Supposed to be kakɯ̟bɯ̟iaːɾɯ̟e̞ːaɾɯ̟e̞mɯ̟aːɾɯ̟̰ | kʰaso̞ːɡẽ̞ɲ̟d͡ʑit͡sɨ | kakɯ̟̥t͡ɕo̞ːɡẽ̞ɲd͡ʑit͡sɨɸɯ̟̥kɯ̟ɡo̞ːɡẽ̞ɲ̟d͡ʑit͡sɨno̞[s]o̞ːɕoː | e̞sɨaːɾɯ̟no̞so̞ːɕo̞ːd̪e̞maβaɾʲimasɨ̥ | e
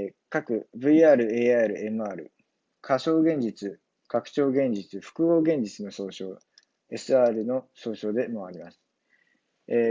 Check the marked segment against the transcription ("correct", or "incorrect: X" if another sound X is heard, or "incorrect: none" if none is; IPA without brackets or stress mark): correct